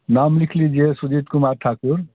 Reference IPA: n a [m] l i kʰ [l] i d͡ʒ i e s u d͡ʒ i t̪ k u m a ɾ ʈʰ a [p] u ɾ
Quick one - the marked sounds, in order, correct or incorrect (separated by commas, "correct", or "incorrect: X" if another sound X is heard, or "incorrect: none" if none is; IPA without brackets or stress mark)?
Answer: correct, correct, incorrect: k